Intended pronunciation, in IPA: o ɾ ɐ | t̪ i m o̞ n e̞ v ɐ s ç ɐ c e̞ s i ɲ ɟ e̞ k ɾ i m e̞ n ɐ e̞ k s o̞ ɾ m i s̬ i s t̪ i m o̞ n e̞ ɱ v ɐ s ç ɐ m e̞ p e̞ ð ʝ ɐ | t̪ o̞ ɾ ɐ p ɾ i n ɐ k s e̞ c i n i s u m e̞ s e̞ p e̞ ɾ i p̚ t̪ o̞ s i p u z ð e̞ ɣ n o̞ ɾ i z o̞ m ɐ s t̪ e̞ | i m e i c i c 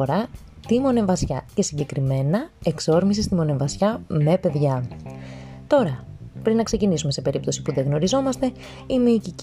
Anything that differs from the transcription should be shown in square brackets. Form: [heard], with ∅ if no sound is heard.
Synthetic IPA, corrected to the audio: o ɾ ɐ | t̪ i m o̞ n e̞ v ɐ s ç ɐ c e̞ s i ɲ ɟ e̞ k ɾ i m e̞ n ɐ e̞ k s o̞ ɾ m i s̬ i s t̪ i m o̞ n e̞ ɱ v ɐ s ç ɐ m e̞ p e̞ ð ʝ ɐ | t̪ o̞ ɾ ɐ p ɾ i n ɐ k s e̞ c i n i s u m e̞ s e̞ p e̞ ɾ i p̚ t̪ o̞ s i p u [∅] ð e̞ ɣ n o̞ ɾ i z o̞ m ɐ s t̪ e̞ | i m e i c i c